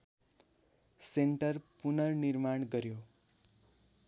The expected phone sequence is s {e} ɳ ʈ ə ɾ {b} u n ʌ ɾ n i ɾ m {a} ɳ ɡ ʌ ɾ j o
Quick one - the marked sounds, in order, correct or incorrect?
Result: correct, incorrect: p, correct

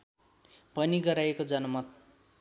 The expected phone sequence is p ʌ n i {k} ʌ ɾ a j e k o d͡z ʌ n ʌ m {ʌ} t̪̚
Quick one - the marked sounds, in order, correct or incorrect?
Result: incorrect: ɡ, correct

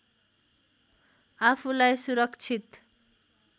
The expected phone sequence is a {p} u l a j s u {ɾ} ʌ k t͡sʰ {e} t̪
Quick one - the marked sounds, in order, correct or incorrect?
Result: incorrect: pʰ, correct, incorrect: i

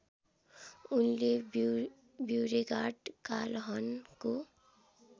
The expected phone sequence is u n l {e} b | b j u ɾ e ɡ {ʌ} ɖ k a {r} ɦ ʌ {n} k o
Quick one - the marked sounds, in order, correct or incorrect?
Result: correct, incorrect: a, incorrect: l, correct

